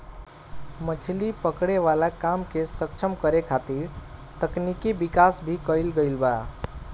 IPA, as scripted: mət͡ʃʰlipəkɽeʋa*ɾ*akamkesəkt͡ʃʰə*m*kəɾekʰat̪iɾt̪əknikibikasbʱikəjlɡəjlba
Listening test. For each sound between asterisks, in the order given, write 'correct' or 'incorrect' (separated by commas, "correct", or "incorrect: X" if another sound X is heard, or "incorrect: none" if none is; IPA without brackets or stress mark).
incorrect: l, correct